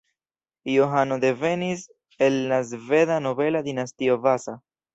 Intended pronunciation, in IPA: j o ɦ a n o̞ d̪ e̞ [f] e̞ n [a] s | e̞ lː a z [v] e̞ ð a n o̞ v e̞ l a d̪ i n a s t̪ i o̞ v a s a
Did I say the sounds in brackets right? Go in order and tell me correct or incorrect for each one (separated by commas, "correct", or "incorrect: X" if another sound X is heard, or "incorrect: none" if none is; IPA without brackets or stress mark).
incorrect: v, incorrect: i, correct